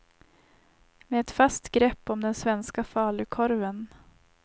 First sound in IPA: m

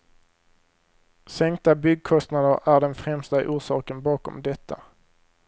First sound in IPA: s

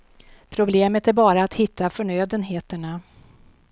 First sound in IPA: pʰ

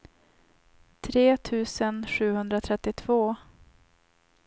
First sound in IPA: t̪ʰ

